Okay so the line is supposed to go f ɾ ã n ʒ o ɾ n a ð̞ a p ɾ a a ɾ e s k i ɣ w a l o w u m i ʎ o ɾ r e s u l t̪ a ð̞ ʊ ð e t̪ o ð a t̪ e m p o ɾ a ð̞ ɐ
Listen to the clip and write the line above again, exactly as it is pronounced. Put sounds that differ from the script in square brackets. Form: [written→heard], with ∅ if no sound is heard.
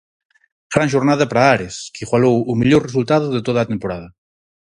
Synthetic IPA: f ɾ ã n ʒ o ɾ n a ð̞ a p ɾ a a ɾ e s k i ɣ w a l o w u m i ʎ o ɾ r e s u l t̪ a ð̞ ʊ ð e t̪ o ð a t̪ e m p o ɾ a ð̞ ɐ

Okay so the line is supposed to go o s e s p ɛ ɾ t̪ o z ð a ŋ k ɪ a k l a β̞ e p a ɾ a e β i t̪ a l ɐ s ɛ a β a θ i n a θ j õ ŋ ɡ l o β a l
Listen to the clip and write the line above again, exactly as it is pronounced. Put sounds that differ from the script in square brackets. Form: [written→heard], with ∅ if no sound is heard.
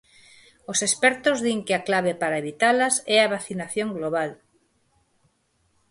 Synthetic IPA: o s e s p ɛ ɾ t̪ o z ð [a→i] ŋ k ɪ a k l a β̞ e p a ɾ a e β i t̪ a l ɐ s ɛ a β a θ i n a θ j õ ŋ ɡ l o β a l

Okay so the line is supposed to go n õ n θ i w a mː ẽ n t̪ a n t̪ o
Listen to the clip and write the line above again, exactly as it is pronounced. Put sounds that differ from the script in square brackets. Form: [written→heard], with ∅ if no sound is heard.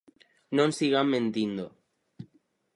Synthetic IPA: n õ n [θ→s] i [w→ɣ] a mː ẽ n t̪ [a→i] n [t̪→d̪] o

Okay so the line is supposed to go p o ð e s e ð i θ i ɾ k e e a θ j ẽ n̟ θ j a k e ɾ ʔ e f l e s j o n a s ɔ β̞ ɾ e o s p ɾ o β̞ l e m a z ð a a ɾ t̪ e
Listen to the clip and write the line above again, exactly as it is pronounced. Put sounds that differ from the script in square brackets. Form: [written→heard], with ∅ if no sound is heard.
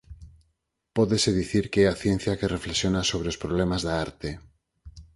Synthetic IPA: p o ð e s e ð i θ i ɾ k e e a θ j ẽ n̟ θ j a k e [ɾ→r] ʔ e f l e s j o n a s [ɔ→o] β̞ ɾ e o s p ɾ o β̞ l e m a z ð a a ɾ t̪ e

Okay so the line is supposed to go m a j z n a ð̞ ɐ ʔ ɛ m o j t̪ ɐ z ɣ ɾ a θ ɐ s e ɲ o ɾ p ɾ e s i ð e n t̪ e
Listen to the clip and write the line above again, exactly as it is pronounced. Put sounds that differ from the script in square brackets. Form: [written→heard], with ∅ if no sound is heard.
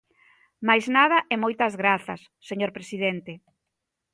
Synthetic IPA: m a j z n a ð̞ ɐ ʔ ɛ m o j t̪ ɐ z ɣ ɾ a θ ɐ [s→sː] e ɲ o ɾ p ɾ e s i ð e n t̪ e

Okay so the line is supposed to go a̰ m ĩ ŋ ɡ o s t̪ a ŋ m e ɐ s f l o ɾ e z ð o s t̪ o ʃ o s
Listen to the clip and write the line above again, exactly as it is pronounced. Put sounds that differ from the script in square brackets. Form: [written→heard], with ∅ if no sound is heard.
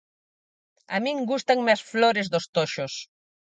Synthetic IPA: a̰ m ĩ ŋ ɡ [o→u] s t̪ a ŋ m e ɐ s f l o ɾ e z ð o s t̪ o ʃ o s

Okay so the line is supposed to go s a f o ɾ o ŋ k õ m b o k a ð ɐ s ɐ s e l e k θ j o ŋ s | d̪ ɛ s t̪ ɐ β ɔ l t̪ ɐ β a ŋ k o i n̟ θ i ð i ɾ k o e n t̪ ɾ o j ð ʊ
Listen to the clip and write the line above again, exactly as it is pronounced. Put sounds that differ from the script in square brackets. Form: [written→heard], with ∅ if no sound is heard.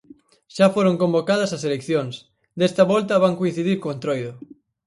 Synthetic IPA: [s→ʃ] a f o ɾ o ŋ k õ m b o k a ð ɐ s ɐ s e l e k θ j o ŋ s | d̪ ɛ s t̪ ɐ β ɔ l t̪ ɐ β a ŋ k o i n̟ θ i ð i ɾ k o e n t̪ ɾ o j ð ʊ

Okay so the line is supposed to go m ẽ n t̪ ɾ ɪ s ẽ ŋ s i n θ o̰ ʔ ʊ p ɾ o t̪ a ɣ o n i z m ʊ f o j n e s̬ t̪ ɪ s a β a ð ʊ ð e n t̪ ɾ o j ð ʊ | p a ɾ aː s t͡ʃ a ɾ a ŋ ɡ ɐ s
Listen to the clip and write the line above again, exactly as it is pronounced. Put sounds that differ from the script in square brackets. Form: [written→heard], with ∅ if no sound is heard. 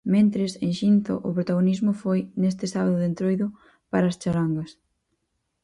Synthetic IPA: m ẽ n t̪ ɾ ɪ s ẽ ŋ [s→ʃ] i n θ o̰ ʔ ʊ p ɾ o t̪ a ɣ o n i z m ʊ f o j n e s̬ t̪ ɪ s a β a ð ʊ ð e n t̪ ɾ o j ð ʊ | p a ɾ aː s t͡ʃ a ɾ a ŋ ɡ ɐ s

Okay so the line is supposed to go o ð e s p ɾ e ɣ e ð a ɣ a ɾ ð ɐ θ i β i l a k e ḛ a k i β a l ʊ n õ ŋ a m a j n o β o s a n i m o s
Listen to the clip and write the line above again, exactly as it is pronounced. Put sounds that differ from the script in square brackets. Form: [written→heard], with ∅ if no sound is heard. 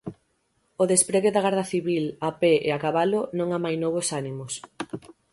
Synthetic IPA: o ð e s p ɾ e ɣ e ð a ɣ a ɾ ð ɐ θ i β i l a [k→p] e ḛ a k [i→a] β a l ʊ n õ ŋ a m a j n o β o s a n i m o s

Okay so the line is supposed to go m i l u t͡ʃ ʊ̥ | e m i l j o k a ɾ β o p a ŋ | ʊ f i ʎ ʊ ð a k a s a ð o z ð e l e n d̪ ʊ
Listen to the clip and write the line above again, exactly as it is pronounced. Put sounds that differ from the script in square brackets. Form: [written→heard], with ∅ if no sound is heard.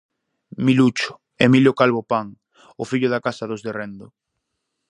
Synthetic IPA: m i l u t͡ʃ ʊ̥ | e m i l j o k a [ɾ→l] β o p a ŋ | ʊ f i ʎ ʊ ð a k a s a ð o z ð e [l→r] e n d̪ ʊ

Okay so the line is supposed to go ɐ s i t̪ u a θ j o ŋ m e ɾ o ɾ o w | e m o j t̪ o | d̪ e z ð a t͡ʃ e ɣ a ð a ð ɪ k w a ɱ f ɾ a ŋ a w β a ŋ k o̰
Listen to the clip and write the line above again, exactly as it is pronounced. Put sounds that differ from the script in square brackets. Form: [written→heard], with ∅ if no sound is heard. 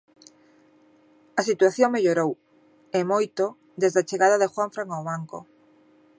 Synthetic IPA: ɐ s i t̪ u a θ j o ŋ m e [ɾ→ʎ] o ɾ o w | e m o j t̪ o | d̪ e z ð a t͡ʃ e ɣ a ð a ð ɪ [k→x] w a ɱ f ɾ a ŋ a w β a ŋ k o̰

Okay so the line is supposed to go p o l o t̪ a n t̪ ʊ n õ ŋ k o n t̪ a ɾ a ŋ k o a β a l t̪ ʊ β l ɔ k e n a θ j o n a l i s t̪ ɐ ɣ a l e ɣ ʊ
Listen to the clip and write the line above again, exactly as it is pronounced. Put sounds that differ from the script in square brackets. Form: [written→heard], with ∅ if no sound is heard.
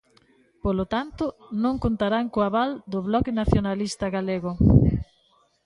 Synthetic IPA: p o l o t̪ a n t̪ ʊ n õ ŋ k o n t̪ a ɾ a ŋ k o a β a l [t̪→d̪] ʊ β l ɔ k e n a θ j o n a l i s t̪ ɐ ɣ a l e ɣ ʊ

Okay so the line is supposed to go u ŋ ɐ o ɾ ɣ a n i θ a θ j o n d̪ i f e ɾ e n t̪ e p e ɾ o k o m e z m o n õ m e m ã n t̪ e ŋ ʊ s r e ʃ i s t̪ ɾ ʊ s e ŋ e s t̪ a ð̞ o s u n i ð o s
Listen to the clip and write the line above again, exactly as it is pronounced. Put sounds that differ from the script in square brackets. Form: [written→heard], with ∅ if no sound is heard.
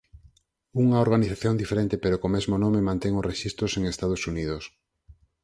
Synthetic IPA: u ŋ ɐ o ɾ ɣ a n i θ a θ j o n d̪ i f e ɾ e n t̪ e p e ɾ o k o m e z m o n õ m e m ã n t̪ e ŋ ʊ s r e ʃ i s t̪ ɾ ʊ s e ŋ e s t̪ a ð̞ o s u n i ð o s

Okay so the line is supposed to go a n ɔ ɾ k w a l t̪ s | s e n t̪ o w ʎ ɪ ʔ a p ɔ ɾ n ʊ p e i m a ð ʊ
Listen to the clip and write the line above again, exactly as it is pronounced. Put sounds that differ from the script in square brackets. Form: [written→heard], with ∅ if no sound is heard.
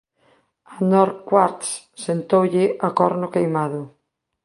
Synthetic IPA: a n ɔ ɾ k w a [l→ɾ] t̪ s | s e n t̪ o w ʎ ɪ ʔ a [p→k] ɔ ɾ n ʊ [p→k] e [i→j] m a ð ʊ

